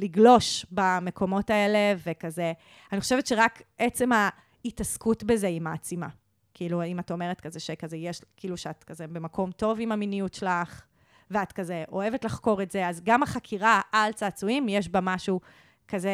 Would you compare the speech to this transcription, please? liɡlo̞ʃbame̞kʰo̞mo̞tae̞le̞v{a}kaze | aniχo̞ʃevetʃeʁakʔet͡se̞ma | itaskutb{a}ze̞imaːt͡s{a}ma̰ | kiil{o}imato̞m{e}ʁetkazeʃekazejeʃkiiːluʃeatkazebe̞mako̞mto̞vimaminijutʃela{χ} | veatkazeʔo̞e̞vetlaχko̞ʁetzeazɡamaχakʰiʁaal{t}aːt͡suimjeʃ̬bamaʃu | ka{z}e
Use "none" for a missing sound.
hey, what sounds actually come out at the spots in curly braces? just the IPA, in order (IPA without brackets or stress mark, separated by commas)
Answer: e, e, i, u, e, χ, t͡s, z